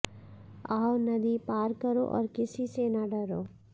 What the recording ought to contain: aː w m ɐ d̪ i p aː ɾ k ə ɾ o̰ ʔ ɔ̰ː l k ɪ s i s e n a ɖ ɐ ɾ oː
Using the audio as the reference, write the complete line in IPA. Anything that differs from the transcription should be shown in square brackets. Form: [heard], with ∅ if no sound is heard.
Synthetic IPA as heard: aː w [n] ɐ d̪ i p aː ɾ k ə ɾ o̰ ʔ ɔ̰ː [ɾ] k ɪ s i s e n a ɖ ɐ ɾ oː